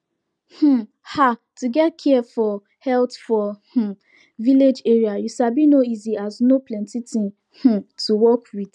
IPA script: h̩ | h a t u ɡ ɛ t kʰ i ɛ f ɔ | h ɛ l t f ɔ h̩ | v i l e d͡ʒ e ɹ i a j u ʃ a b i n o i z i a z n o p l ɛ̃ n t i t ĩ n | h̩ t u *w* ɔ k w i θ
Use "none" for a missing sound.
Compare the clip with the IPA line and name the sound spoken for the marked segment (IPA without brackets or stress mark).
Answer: w